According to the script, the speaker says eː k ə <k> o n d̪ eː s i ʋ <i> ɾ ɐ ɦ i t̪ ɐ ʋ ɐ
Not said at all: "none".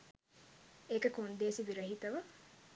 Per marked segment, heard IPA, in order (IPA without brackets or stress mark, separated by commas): k, i